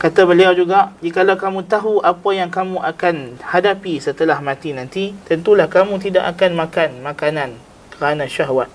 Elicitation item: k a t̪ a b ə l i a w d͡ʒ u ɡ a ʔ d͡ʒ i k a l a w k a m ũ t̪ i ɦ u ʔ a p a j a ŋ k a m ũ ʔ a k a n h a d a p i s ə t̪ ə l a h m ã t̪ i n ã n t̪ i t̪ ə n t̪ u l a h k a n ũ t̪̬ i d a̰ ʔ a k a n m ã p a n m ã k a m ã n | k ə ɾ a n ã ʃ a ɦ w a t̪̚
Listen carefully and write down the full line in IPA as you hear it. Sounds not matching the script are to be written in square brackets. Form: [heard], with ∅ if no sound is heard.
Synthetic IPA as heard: k a t̪ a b ə l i a w d͡ʒ u ɡ a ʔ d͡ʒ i k a l a w k a m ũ t̪ [a] ɦ u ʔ a p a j a ŋ k a m ũ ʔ a k a n h a d a p i s ə t̪ ə l a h m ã t̪ i n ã n t̪ i t̪ ə n t̪ u l a h k a [m] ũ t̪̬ i d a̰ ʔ a k a n m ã [k] a n m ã k a [n] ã n | k ə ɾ a n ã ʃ a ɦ w a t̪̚